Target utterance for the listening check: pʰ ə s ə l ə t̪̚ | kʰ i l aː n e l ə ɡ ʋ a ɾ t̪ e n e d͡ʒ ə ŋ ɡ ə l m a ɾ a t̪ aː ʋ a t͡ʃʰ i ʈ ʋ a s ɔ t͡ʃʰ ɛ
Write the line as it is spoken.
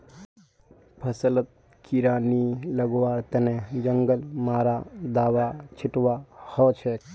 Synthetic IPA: pʰ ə s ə l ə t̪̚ | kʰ i ɾ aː n i l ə ɡ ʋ a ɾ t̪ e n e d͡ʒ ə ŋ ɡ ə l m a ɾ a d̪ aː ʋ a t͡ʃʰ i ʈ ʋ a h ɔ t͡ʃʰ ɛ